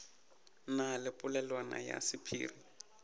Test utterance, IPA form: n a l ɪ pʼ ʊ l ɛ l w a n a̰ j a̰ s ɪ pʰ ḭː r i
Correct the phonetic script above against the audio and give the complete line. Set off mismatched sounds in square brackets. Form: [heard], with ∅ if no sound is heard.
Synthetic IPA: n a l ɪ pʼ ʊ l ɛ l w a n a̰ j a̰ s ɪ pʰ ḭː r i